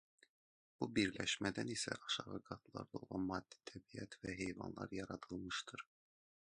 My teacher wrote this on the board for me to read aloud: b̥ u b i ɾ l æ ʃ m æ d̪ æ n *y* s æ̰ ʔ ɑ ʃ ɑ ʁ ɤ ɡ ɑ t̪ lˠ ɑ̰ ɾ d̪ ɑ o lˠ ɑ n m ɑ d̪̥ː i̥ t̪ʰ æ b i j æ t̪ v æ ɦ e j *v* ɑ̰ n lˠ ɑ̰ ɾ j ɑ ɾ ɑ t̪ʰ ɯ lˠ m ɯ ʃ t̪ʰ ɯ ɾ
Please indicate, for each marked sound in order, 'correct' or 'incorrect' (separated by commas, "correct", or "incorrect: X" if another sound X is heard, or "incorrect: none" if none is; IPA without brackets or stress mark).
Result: incorrect: i, correct